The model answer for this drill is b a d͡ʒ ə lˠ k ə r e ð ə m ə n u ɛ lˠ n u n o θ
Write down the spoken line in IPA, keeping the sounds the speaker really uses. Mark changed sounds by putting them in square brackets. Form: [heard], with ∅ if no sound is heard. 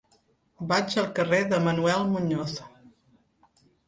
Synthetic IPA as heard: b a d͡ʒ ə lˠ k ə r e ð ə m ə n u ɛ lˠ [m] u [ɲ] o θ